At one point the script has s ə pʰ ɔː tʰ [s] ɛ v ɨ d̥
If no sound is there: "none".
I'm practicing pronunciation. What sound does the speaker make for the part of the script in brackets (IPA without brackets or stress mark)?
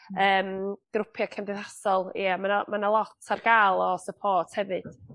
h